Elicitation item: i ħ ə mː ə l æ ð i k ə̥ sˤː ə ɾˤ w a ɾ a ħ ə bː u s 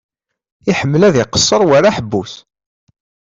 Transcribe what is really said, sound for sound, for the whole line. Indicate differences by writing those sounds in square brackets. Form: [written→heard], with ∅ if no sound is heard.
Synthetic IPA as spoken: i ħ ə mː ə l æ ð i [k→q] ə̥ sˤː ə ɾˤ w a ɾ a ħ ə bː u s